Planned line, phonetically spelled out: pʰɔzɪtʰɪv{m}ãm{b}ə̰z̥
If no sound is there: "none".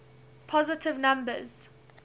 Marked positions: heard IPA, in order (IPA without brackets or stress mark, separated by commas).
n, b